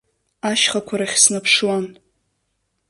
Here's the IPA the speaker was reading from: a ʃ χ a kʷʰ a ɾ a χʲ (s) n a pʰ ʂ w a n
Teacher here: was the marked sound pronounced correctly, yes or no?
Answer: yes